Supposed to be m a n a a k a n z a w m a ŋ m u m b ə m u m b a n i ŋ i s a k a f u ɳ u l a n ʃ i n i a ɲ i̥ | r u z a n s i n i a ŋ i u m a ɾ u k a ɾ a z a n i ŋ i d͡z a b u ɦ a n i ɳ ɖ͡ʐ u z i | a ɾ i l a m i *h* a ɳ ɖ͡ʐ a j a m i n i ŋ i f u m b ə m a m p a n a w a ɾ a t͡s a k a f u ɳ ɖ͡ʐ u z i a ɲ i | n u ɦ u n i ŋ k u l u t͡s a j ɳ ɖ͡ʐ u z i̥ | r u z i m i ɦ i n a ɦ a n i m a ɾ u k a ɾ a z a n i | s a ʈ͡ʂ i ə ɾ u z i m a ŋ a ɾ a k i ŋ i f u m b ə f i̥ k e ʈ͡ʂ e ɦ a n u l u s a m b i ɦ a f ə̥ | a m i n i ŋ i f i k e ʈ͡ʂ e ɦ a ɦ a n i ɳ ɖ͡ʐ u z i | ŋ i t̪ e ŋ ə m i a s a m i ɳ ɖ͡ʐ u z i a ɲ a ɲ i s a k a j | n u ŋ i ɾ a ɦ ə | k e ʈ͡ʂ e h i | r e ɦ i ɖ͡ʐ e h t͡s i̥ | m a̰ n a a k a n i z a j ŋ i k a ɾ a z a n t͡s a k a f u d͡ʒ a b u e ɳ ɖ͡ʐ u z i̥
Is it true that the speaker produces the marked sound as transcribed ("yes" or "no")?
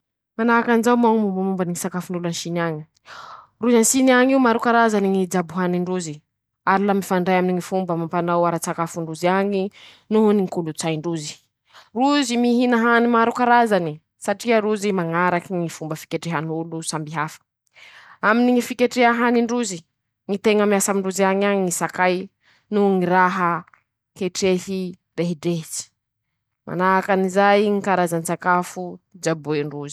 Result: no